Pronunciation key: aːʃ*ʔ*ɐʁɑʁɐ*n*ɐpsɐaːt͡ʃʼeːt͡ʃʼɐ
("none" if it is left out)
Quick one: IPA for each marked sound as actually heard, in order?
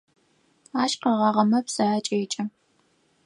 q, m

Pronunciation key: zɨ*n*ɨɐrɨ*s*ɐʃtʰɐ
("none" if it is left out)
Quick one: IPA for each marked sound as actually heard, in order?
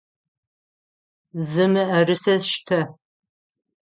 m, s

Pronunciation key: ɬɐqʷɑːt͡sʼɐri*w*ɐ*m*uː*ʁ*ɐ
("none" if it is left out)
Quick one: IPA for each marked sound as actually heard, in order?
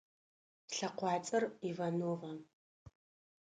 v, n, ʁ

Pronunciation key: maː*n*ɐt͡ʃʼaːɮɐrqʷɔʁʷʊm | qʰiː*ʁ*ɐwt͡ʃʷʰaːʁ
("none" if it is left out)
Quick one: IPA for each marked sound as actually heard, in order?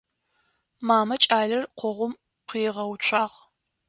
m, ʁ

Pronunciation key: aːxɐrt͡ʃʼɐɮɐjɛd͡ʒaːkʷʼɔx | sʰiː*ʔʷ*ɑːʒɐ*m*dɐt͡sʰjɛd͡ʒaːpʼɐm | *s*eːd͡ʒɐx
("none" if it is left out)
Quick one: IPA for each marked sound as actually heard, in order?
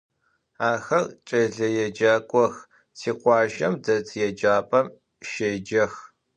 qʷ, m, ʃ

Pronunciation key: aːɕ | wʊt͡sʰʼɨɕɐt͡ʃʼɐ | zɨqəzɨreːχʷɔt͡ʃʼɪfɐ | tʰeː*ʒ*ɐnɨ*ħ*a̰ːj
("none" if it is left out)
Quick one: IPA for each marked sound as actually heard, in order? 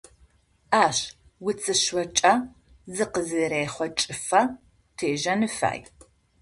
ʒ, f

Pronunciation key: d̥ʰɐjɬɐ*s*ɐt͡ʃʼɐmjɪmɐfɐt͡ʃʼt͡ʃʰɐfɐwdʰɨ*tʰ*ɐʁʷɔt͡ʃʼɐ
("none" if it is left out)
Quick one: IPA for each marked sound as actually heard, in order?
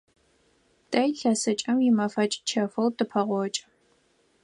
s, pʰ

